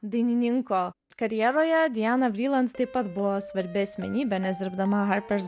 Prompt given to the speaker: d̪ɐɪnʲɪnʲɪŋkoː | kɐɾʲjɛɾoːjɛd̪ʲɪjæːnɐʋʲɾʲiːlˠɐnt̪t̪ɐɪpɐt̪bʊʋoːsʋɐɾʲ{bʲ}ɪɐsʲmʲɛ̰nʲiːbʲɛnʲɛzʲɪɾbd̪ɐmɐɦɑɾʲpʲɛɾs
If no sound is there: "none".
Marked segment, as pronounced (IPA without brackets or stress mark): bʲ